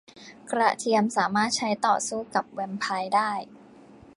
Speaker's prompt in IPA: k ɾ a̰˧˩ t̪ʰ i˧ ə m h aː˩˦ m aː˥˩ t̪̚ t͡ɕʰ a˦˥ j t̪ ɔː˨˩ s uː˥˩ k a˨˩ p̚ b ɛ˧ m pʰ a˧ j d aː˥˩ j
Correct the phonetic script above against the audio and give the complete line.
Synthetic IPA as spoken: k ɾ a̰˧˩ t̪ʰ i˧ ə m s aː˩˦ m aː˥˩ t̪̚ t͡ɕʰ a˦˥ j t̪ ɔː˨˩ s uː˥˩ k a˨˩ p̚ w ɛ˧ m pʰ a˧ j d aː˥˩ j